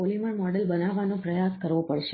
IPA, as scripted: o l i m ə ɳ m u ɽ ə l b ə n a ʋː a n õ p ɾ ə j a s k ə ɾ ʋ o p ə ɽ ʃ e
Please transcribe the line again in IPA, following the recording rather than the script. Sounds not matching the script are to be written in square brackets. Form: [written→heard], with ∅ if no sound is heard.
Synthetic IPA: o l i m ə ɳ m [u→ɔ] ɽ ə l b ə n a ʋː a n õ p ɾ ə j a s k ə ɾ ʋ o p ə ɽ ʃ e